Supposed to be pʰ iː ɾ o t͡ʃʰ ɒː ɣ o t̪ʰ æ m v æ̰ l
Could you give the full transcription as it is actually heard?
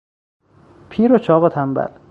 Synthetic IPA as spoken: pʰ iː ɾ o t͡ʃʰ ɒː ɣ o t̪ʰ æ m b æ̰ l